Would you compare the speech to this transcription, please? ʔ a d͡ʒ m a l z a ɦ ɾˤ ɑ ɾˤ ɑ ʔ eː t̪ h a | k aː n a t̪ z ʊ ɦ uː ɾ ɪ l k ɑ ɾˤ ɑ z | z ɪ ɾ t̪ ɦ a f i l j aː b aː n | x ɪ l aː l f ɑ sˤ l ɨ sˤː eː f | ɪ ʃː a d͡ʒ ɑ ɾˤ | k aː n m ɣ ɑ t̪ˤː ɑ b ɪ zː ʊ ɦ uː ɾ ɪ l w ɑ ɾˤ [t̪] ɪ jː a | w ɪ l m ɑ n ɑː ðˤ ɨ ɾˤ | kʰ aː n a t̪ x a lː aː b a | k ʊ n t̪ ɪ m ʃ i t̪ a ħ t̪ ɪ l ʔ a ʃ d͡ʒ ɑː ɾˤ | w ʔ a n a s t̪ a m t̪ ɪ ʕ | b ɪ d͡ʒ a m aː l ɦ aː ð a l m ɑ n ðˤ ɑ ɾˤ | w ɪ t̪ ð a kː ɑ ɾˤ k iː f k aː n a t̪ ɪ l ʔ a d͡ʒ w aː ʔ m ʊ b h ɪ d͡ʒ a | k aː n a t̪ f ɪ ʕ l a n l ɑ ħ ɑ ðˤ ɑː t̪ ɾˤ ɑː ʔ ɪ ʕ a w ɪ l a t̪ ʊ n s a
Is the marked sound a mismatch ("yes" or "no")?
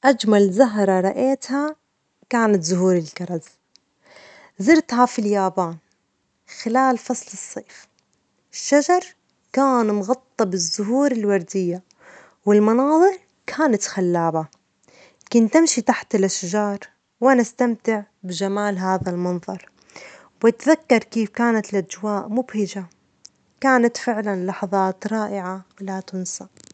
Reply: yes